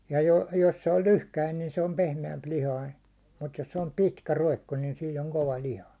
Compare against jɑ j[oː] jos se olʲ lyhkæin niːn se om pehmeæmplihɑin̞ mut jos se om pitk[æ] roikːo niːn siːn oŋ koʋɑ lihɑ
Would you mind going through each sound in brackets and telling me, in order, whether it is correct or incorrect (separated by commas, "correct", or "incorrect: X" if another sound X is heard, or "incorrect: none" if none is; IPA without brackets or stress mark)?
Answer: incorrect: o, correct